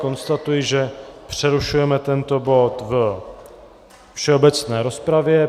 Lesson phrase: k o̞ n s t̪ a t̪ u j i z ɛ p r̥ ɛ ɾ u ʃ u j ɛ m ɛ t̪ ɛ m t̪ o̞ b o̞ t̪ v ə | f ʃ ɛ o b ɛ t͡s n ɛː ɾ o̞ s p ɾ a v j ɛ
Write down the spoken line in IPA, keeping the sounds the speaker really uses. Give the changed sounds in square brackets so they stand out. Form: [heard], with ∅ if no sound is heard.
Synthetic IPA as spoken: k o̞ n s t̪ a t̪ u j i [ʒ] ɛ p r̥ ɛ ɾ u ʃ u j ɛ m ɛ t̪ ɛ [n] t̪ o̞ b o̞ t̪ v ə | f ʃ ɛ o b ɛ t͡s n ɛː ɾ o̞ s p ɾ a v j ɛ

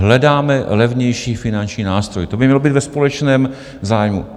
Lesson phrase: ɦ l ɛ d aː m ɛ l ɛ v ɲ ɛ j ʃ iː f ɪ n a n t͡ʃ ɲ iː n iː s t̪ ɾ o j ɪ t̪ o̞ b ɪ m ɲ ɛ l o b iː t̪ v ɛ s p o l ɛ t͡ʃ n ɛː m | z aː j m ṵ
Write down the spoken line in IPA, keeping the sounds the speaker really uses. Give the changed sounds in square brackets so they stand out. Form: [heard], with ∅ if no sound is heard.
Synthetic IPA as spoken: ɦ l ɛ d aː m ɛ l ɛ v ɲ ɛ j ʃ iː f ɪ n a n t͡ʃ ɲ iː n [aː] s t̪ ɾ o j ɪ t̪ o̞ b ɪ m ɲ ɛ l o b iː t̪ v ɛ s p o l ɛ t͡ʃ n ɛː m | z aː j m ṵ

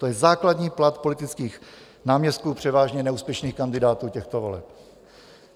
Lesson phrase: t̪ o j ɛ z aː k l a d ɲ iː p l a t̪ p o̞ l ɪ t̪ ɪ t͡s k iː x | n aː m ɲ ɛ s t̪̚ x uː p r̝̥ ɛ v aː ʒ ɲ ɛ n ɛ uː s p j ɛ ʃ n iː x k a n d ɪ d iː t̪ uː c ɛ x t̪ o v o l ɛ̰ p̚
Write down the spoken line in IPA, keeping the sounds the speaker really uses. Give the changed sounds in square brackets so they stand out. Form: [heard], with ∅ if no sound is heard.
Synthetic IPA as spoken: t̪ o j ɛ z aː k l a d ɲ iː p l a t̪ p o̞ l ɪ t̪ ɪ t͡s k iː x | n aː m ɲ ɛ s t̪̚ [k] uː p r̝̥ ɛ v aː ʒ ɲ ɛ n ɛ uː s p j ɛ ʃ n iː x k a n d ɪ d [aː] t̪ uː c ɛ x t̪ o v o l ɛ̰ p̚

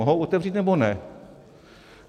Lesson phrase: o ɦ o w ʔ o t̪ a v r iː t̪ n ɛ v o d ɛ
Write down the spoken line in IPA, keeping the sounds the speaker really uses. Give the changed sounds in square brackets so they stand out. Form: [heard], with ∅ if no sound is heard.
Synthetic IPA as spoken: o ɦ o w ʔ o t̪ [ɛ] v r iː t̪ n ɛ [b] o [n] ɛ

